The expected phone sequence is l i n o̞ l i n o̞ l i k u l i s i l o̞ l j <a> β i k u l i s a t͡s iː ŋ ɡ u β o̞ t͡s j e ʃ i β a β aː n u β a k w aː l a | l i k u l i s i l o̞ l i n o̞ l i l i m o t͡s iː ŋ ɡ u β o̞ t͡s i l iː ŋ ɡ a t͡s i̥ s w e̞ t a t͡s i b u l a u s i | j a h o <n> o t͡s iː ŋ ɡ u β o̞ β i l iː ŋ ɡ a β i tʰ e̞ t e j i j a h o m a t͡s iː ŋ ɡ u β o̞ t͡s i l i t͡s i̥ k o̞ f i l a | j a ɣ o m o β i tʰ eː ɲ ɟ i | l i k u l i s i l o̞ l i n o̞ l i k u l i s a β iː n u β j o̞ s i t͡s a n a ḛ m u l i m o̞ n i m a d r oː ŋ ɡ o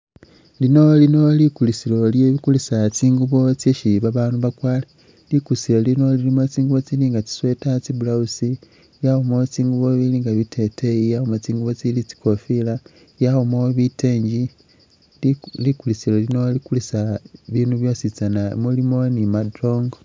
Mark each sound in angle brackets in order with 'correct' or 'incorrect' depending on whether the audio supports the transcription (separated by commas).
incorrect, incorrect